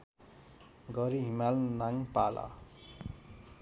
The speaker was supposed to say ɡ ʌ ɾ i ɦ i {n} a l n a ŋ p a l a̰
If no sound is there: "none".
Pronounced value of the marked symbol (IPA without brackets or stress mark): m